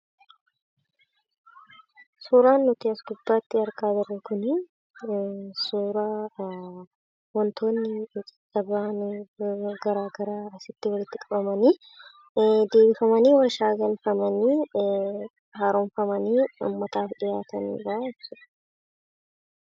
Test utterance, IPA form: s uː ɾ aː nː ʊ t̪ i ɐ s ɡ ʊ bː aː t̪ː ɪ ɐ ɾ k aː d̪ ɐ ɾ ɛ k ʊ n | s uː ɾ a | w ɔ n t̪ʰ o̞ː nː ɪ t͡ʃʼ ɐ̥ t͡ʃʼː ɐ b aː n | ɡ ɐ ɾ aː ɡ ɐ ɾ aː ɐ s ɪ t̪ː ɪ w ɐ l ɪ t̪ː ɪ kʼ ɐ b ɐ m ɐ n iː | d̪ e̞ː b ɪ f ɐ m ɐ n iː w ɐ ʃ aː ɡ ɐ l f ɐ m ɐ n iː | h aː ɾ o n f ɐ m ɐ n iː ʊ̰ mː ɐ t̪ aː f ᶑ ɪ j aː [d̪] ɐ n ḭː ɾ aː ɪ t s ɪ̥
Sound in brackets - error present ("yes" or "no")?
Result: yes